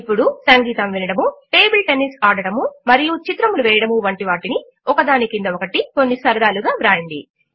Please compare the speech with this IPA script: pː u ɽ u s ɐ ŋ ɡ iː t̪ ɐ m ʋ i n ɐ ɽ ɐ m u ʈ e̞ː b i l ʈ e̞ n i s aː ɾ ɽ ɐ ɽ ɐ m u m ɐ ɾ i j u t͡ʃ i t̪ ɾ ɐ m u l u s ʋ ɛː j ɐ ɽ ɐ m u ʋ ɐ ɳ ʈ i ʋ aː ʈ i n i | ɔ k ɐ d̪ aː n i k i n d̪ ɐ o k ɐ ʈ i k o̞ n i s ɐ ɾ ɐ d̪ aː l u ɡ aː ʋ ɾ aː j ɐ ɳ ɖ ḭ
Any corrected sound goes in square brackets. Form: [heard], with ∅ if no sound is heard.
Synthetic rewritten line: pː u ɽ u s ɐ ŋ ɡ iː t̪ ɐ m ʋ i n ɐ ɽ ɐ m u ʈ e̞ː b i l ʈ e̞ n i s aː [∅] ɽ ɐ ɽ ɐ m u m ɐ ɾ i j u t͡ʃ i t̪ ɾ ɐ m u l u [∅] ʋ ɛː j ɐ ɽ ɐ m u ʋ ɐ ɳ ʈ i ʋ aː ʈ i n i | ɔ k ɐ d̪ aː n i k i n d̪ ɐ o k ɐ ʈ i k o̞ [nː] i s ɐ ɾ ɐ d̪ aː l u ɡ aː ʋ ɾ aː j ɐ ɳ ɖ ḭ